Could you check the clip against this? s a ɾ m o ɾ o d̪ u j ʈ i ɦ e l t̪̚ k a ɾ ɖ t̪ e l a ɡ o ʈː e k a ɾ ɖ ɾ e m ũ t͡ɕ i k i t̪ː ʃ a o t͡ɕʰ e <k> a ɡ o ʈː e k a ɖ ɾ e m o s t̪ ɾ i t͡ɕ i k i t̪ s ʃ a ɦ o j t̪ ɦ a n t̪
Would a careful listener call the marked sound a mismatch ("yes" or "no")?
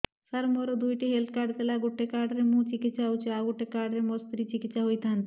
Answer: yes